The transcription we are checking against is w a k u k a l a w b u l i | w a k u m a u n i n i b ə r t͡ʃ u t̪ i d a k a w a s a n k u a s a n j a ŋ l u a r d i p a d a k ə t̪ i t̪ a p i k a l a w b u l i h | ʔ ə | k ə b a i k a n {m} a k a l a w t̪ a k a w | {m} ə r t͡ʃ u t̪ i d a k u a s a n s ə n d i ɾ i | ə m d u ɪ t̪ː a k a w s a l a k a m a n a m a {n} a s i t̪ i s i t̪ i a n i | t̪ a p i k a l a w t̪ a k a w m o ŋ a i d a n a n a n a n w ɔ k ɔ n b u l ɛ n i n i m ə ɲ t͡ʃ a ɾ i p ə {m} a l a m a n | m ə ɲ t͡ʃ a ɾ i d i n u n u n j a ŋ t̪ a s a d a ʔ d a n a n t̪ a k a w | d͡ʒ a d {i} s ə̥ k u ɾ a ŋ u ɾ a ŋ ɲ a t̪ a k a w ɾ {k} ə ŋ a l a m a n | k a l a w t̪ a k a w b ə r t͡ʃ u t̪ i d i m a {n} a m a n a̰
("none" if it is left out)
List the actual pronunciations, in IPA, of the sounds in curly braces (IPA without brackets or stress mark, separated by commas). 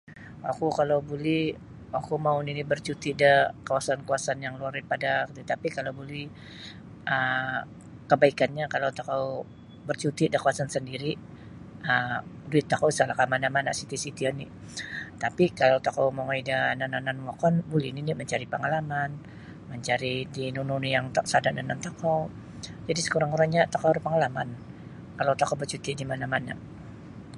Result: ɲ, b, n, ŋ, i, p, n